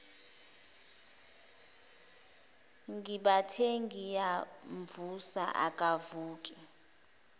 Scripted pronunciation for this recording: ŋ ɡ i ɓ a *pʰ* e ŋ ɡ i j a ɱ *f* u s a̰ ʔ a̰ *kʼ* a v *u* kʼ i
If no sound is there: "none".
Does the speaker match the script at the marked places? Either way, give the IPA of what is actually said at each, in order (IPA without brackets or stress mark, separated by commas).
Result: tʰ, v, kʼ, uː